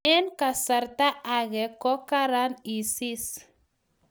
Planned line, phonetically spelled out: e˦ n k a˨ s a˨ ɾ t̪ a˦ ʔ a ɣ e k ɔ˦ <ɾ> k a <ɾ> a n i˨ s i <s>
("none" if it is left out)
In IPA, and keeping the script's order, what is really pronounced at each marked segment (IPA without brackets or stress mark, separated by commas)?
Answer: none, ɾ, s